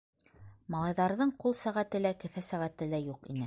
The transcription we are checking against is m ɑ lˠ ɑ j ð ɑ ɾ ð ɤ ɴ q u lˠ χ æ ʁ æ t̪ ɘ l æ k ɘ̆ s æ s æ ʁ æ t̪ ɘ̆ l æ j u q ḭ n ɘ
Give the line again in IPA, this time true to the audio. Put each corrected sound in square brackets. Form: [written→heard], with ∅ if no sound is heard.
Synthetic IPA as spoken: m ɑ lˠ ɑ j ð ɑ ɾ ð ɤ ɴ q u lˠ [χ→s] æ ʁ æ t̪ ɘ l æ k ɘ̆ [s→θ] æ s æ ʁ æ t̪ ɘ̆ l æ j u q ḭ n ɘ